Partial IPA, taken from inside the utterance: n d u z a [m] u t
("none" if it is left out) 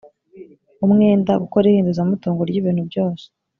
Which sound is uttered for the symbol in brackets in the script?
m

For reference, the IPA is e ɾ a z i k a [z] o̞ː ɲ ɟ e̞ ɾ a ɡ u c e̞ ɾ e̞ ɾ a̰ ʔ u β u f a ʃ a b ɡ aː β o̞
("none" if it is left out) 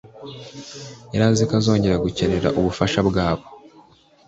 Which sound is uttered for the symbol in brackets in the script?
z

